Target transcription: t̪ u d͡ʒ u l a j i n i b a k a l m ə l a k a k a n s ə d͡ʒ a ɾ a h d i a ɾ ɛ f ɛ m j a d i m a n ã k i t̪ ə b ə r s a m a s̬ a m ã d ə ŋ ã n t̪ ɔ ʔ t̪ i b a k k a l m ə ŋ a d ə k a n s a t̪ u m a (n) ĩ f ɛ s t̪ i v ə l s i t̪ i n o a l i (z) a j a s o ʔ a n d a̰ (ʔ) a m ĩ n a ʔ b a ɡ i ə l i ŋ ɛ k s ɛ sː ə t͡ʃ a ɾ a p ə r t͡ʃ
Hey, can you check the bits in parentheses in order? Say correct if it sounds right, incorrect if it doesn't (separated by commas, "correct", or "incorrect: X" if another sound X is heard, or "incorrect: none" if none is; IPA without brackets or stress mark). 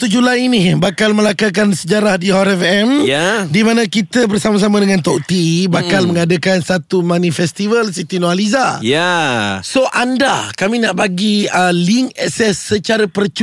correct, correct, incorrect: k